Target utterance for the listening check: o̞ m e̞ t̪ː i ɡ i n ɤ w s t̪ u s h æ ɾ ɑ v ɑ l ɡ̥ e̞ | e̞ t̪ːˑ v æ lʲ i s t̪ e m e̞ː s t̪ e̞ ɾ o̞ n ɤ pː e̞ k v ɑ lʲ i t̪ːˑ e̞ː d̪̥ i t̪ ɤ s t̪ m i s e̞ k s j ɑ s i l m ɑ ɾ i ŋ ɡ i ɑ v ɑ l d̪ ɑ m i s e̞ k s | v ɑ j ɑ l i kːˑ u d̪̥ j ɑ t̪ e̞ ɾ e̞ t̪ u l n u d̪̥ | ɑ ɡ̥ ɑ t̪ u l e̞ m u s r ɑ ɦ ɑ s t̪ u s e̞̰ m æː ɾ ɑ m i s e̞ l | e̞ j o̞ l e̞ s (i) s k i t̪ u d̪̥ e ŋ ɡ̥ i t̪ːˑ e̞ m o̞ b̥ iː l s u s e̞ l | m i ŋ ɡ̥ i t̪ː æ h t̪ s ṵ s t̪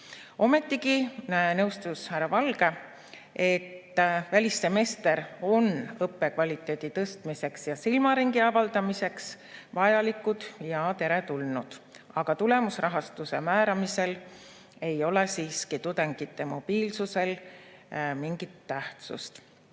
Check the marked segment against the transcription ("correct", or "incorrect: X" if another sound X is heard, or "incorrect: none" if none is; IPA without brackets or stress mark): incorrect: iː